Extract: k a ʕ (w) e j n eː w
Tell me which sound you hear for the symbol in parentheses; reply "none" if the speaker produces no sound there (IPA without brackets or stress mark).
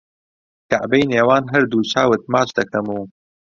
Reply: b